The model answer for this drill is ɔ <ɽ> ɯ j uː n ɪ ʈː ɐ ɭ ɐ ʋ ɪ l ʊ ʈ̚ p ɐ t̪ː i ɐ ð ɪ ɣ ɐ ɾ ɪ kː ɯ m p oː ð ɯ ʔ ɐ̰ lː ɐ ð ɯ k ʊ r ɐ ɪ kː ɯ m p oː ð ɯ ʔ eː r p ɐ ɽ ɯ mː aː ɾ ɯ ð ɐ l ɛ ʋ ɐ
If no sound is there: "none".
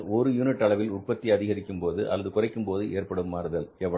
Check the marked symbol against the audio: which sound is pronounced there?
ɾ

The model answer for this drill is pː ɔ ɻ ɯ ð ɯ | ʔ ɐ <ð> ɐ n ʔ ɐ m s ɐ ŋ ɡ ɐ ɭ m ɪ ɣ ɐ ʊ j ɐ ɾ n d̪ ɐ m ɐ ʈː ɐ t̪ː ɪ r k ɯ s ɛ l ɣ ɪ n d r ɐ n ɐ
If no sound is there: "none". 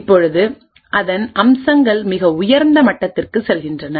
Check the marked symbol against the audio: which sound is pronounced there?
ð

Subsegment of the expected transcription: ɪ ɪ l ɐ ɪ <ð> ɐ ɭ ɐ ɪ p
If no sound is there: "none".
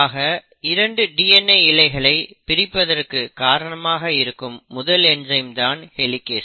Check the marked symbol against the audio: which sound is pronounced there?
ɣ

